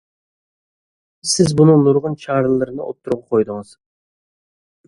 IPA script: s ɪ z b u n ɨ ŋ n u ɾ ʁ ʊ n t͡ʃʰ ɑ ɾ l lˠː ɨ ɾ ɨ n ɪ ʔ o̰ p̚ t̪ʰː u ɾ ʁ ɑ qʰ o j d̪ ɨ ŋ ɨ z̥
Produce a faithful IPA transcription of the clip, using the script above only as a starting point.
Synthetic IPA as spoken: s ɪ z b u n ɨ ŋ n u ɾ ʁ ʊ n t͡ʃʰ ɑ ɾ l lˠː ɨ ɾ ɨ n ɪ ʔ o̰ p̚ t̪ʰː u ɾ ʁ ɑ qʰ o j d̪ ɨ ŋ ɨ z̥